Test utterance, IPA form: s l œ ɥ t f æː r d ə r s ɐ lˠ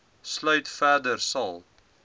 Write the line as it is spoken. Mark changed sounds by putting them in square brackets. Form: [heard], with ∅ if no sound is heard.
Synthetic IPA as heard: s l œ ɥ t f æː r d ə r s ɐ lˠ